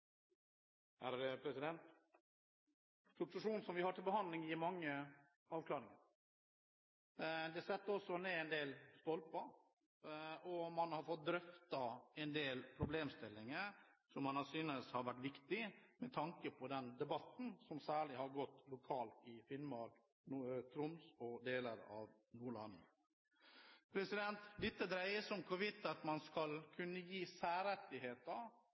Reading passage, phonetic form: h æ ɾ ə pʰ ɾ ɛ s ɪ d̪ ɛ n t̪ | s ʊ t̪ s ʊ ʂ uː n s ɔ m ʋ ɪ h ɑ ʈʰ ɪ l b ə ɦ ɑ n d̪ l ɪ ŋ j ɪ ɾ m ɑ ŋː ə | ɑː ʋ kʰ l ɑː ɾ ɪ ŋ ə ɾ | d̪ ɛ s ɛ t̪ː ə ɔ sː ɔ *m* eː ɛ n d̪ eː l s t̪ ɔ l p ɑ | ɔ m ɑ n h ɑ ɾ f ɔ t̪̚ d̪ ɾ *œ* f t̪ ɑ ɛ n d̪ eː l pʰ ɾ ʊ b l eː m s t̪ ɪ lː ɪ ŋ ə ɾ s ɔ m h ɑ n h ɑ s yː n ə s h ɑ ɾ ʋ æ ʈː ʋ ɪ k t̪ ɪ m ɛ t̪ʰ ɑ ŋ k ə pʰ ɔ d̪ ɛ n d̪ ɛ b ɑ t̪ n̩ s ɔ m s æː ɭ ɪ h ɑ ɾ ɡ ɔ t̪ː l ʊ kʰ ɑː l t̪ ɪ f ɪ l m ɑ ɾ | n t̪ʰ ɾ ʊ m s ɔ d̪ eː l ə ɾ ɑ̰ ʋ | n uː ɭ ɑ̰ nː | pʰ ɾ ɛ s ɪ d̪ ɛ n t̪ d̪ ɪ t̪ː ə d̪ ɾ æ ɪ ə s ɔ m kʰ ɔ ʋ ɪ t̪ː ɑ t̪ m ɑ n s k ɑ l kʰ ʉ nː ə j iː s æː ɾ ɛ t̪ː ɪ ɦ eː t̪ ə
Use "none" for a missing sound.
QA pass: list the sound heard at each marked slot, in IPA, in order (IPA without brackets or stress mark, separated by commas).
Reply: n, œ